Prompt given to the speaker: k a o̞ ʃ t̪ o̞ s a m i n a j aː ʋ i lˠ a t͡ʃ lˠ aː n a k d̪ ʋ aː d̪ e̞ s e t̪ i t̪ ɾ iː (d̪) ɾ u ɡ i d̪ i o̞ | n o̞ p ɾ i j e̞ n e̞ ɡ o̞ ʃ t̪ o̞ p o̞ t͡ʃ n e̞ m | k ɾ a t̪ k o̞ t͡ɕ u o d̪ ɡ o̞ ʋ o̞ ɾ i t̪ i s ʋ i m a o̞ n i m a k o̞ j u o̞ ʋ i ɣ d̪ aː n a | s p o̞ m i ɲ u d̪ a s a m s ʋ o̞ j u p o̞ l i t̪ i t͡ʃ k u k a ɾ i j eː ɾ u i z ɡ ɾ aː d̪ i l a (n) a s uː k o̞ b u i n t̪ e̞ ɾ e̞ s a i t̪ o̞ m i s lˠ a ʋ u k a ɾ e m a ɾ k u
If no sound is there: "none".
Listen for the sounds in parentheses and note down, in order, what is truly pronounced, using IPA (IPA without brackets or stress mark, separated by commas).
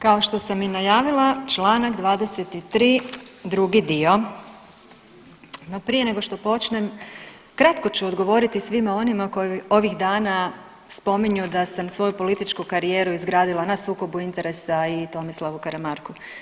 d̪, n